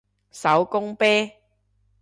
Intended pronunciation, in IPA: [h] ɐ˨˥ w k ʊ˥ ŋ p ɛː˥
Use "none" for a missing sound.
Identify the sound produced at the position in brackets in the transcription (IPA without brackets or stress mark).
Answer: s